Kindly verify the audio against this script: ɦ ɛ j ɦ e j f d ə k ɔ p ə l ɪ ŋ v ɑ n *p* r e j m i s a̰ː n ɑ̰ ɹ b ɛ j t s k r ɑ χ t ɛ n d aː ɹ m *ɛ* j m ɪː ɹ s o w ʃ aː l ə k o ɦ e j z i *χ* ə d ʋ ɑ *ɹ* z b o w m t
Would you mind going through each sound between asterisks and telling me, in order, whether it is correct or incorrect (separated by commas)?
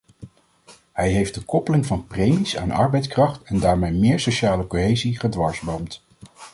correct, incorrect, correct, correct